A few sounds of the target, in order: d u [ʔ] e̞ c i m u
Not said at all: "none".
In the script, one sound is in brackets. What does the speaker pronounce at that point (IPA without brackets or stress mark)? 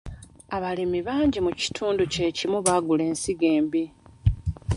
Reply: c